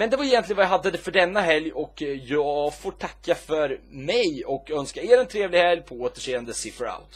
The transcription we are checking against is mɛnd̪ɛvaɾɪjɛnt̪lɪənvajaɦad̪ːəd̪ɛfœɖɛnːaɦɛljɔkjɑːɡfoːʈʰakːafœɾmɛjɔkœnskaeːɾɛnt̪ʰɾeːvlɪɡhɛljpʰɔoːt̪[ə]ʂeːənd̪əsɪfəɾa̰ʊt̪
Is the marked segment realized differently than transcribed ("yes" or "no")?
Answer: no